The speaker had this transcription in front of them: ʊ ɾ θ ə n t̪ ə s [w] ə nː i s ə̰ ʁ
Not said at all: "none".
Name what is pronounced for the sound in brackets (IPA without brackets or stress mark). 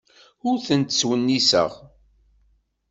w